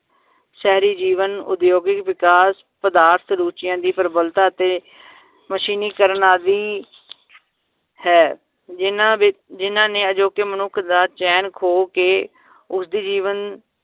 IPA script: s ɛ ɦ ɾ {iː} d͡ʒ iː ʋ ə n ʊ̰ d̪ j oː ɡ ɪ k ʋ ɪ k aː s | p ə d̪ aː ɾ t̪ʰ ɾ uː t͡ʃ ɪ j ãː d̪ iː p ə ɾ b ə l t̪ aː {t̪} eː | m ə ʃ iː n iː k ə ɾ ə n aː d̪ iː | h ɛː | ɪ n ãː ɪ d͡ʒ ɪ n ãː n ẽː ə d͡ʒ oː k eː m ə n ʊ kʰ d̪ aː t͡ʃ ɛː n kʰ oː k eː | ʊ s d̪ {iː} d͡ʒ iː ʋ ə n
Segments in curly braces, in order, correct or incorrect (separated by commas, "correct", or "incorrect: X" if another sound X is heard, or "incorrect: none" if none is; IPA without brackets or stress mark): correct, correct, correct